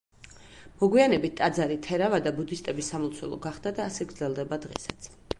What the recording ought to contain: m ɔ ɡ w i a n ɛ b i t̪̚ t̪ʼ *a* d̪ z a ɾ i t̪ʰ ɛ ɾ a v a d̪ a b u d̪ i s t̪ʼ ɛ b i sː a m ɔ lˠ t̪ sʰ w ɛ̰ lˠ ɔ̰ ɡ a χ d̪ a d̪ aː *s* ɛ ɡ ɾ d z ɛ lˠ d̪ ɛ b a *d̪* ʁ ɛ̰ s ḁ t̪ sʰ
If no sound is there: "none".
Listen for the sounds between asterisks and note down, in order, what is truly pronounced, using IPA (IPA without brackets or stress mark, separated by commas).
a, s, d̪